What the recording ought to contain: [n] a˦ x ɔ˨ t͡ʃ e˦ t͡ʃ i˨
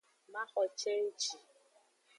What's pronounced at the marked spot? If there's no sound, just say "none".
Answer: m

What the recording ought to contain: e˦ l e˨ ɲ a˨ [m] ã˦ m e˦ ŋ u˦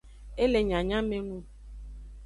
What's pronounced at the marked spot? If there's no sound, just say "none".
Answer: ɲ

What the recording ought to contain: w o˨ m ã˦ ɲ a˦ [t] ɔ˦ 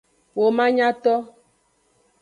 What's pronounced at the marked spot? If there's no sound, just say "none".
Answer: t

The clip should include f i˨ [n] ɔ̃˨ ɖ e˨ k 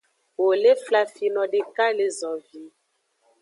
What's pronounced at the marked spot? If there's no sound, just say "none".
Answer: n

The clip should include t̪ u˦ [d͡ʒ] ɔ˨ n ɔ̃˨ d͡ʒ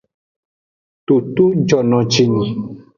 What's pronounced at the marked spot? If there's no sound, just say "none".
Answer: d͡ʒ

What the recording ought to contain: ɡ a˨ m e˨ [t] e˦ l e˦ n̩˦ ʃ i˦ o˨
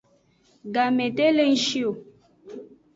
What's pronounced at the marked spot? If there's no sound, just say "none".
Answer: t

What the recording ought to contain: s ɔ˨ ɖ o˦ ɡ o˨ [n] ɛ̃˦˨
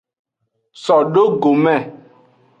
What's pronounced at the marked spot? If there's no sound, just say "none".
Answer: m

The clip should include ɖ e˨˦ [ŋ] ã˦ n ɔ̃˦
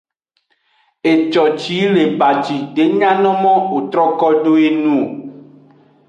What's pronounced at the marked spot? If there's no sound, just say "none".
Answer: ɲ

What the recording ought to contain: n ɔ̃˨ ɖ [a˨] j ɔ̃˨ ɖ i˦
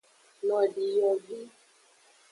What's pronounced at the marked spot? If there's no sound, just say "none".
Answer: i˨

